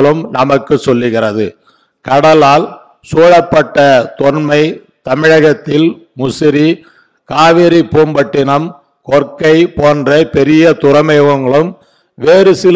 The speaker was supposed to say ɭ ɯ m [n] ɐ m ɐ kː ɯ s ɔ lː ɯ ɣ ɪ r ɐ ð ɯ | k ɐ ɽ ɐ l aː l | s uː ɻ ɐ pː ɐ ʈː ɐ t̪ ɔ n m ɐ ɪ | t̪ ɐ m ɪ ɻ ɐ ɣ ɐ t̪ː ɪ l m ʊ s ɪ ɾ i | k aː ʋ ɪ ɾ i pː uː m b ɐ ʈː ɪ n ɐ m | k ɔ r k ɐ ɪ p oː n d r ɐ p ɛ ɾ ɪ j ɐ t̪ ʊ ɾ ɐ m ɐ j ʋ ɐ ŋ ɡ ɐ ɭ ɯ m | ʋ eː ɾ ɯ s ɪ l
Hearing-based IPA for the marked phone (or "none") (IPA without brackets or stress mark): n